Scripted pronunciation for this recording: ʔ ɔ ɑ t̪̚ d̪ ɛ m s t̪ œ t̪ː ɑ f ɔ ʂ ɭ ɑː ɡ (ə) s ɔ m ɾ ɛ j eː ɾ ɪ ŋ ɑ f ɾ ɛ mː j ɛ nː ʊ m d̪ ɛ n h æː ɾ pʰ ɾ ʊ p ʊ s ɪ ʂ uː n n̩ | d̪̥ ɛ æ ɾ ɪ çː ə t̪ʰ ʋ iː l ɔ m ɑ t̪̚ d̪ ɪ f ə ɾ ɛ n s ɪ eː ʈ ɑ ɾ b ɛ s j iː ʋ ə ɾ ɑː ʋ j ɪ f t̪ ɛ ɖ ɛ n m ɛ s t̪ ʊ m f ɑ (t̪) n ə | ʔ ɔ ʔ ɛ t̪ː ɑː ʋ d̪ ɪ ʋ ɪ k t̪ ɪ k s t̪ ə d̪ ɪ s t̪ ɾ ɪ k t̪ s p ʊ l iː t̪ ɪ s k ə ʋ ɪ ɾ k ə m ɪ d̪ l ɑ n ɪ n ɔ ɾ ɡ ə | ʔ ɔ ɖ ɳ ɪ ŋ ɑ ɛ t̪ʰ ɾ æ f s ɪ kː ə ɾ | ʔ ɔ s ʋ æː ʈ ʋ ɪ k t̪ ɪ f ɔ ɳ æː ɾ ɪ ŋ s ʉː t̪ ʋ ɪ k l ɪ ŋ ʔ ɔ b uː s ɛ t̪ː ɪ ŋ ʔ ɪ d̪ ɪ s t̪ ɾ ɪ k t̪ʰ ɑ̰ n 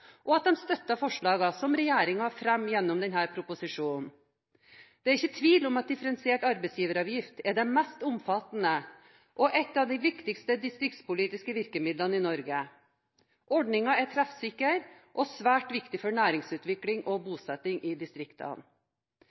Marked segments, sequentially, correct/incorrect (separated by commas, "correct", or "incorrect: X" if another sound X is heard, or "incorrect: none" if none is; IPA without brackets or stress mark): incorrect: ɑ, correct